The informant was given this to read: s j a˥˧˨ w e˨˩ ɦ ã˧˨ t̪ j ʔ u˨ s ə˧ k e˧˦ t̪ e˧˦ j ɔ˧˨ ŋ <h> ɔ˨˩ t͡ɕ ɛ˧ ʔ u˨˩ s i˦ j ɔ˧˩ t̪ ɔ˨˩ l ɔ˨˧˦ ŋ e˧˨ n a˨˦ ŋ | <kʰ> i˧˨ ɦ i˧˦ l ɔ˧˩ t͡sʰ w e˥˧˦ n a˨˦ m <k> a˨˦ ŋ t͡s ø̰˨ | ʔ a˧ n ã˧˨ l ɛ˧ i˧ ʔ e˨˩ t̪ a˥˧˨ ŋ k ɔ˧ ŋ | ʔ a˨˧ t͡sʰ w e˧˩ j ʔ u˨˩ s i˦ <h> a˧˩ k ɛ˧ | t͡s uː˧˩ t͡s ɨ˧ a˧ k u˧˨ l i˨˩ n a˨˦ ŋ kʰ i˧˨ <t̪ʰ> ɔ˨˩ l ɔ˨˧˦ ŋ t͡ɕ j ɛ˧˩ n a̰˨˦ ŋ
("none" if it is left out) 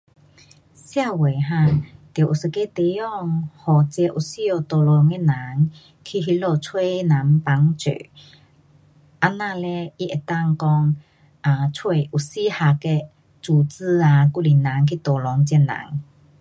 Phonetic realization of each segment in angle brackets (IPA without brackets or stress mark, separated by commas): h, kʰ, p, h, t̪